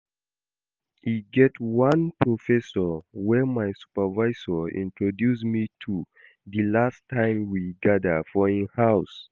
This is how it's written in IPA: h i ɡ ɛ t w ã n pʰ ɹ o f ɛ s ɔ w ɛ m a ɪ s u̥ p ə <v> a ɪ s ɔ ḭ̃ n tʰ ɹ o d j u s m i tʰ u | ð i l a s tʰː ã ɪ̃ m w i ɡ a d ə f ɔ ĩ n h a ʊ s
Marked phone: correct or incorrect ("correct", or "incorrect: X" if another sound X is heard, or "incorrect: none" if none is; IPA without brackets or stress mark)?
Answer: correct